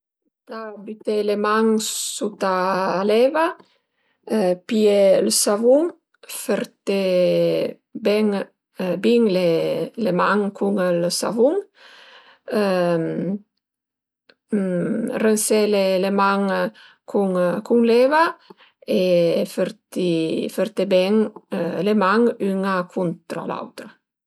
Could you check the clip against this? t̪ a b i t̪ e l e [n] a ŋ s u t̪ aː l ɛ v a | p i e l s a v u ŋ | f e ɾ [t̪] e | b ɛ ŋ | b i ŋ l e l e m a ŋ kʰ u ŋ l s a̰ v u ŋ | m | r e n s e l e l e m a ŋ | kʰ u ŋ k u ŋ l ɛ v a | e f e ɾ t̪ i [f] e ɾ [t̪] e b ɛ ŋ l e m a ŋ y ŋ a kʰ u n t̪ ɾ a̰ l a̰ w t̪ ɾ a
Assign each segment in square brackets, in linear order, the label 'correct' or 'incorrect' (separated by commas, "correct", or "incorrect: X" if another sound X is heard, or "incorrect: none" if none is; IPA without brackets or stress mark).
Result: incorrect: m, correct, correct, correct